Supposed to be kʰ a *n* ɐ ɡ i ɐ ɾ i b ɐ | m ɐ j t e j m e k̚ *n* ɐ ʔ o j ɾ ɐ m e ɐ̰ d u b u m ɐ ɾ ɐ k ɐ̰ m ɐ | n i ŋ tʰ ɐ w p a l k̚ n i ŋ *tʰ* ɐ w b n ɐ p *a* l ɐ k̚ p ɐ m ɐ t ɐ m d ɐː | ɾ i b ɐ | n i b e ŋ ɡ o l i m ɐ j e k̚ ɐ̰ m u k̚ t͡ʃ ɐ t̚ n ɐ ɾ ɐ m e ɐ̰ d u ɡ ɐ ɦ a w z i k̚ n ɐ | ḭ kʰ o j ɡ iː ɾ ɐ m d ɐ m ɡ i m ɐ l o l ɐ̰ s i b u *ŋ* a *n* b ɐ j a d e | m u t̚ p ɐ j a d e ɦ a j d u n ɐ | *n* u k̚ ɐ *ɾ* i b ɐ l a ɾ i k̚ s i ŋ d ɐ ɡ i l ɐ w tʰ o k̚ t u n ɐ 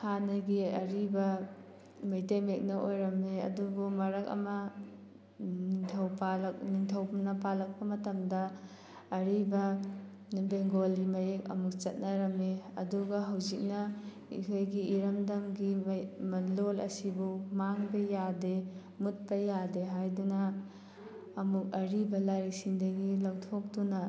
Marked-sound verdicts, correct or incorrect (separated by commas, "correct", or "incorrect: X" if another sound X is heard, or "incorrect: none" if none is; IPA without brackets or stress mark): correct, correct, correct, correct, incorrect: m, incorrect: ŋ, incorrect: m, correct